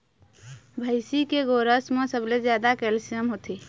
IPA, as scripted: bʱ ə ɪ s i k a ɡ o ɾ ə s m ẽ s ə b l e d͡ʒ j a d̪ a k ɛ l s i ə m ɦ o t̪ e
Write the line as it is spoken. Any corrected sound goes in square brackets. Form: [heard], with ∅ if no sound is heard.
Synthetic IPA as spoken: bʱ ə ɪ s i k [e] ɡ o ɾ ə s m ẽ s ə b l e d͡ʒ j a d̪ a k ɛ l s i ə m ɦ o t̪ [i]